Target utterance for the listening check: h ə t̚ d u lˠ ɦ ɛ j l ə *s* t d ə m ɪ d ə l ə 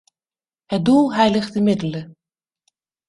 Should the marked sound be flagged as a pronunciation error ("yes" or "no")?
yes